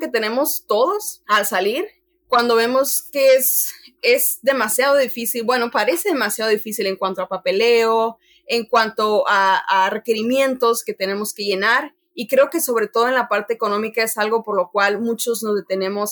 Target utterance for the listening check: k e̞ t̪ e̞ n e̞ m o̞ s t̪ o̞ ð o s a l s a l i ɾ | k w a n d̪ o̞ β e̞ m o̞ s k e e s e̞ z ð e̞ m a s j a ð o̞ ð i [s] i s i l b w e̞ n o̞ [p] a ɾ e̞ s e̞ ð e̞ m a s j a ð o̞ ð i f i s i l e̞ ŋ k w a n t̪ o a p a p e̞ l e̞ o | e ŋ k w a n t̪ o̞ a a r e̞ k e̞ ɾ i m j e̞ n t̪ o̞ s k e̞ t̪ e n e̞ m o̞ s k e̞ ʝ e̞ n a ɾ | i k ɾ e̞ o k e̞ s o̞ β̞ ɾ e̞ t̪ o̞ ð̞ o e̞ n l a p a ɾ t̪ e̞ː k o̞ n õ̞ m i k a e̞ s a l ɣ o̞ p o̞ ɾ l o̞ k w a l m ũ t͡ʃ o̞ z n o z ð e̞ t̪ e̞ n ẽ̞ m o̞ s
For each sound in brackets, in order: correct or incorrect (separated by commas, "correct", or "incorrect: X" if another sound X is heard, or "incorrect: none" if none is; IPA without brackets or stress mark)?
incorrect: f, correct